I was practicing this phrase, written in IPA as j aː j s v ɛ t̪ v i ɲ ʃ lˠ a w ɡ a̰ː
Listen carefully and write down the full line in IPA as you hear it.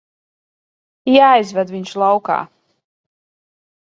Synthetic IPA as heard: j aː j z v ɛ d̪ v i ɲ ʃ lˠ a w k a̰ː